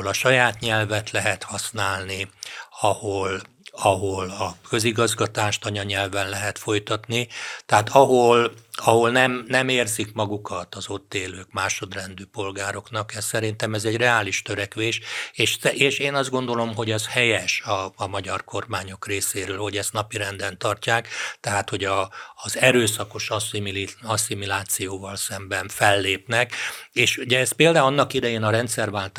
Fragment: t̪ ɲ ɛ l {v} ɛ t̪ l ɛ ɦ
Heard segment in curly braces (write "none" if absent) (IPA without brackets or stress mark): v